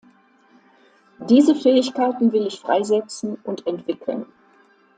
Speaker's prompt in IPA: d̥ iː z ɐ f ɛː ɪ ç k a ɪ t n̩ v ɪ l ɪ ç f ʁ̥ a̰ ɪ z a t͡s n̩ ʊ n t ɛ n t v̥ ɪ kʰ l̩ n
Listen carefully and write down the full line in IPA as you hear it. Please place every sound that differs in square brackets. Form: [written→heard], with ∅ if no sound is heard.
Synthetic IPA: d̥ iː z [ɐ→ə] f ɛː ɪ ç k a ɪ t n̩ v ɪ l ɪ ç f ʁ̥ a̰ ɪ z [a→ɛ] t͡s n̩ ʊ n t ɛ n t v̥ ɪ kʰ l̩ n

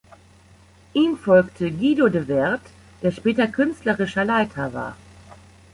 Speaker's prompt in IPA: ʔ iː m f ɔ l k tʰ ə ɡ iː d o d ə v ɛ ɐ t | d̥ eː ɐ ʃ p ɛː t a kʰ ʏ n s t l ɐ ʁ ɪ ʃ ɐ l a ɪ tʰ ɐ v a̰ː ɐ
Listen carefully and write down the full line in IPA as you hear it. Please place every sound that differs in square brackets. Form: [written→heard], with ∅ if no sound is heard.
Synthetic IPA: ʔ iː m f ɔ l k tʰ ə ɡ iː d o d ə v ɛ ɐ t | d̥ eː ɐ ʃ p ɛː t [a→ɐ] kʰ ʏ n s t l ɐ ʁ ɪ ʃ ɐ l a ɪ tʰ ɐ v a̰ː ɐ

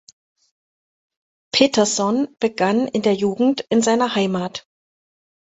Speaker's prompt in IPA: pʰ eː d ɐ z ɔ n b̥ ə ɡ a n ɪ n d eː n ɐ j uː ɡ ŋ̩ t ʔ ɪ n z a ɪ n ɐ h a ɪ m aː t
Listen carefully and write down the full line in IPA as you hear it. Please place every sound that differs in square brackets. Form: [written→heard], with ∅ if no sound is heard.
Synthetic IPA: pʰ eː [d→t] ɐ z ɔ n b̥ ə ɡ a n ɪ n d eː [n→∅] ɐ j uː ɡ ŋ̩ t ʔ ɪ n z a ɪ n ɐ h a ɪ m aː t

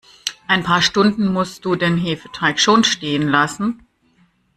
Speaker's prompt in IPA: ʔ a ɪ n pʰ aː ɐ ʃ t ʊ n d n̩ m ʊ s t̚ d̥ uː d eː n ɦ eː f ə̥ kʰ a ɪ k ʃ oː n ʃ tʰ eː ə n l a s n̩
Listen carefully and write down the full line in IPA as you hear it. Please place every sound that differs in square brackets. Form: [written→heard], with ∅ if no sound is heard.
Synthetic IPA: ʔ a ɪ n pʰ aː ɐ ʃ t ʊ n d n̩ m ʊ s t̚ d̥ uː d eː n ɦ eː f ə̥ [kʰ→tʰ] a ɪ k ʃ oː n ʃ [tʰ→t] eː ə n l a s n̩

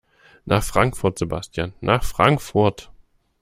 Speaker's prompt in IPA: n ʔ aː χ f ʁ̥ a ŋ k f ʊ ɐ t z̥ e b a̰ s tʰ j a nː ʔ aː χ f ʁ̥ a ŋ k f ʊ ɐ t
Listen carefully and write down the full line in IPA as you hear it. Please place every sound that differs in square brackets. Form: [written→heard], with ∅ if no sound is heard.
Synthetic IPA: n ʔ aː χ f ʁ̥ a ŋ k f ʊ ɐ t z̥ e b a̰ s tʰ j a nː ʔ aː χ f ʁ̥ a ŋ k f ʊ ɐ t

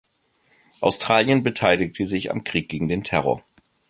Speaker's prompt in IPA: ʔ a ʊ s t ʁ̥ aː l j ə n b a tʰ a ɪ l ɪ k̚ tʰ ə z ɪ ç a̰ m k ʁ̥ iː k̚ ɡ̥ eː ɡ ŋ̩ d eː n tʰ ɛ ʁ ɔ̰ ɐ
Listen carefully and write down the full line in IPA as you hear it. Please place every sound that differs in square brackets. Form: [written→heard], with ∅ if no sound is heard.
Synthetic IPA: ʔ a ʊ s t ʁ̥ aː l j ə n b [a→ə] tʰ a ɪ l ɪ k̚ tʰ ə z ɪ ç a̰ m k ʁ̥ iː k̚ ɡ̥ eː ɡ ŋ̩ d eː n tʰ ɛ ʁ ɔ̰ ɐ

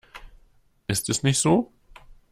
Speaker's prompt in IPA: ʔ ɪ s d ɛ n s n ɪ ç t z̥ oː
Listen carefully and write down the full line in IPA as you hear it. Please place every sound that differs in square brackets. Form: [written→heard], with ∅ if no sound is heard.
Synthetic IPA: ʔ ɪ s [d→t] ɛ [n→∅] s n ɪ ç t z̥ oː

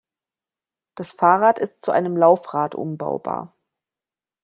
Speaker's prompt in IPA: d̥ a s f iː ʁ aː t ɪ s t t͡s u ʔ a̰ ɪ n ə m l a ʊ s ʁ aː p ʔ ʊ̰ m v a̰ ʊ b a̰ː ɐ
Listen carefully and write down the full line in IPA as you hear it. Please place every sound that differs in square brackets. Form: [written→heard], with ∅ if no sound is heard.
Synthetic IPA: d̥ a s f [iː→aː] ʁ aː t ɪ s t t͡s u ʔ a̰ ɪ n ə m l a ʊ [s→f] ʁ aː [p→t] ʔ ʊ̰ m [v→b] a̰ ʊ b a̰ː ɐ

